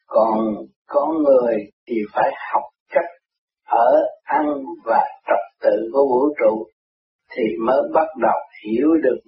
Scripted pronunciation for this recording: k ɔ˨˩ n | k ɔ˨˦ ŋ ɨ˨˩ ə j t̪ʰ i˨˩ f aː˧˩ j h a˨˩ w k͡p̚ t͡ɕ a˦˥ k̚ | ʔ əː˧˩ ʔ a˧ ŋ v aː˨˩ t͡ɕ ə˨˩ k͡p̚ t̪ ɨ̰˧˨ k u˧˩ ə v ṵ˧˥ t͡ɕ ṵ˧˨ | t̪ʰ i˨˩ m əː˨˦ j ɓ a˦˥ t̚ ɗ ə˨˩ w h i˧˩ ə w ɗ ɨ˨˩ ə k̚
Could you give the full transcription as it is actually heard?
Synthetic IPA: k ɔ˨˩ n | k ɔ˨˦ ŋ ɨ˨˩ ə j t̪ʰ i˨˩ f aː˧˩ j h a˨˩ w k͡p̚ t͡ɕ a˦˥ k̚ | ʔ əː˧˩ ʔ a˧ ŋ v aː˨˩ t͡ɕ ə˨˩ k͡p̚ t̪ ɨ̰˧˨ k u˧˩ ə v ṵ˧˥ t͡ɕ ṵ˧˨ | t̪ʰ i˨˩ m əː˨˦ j ɓ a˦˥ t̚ ɗ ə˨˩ w h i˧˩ ə w ɗ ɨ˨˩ ə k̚